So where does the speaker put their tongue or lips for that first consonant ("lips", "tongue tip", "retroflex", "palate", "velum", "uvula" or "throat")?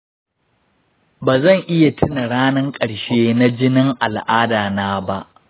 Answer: lips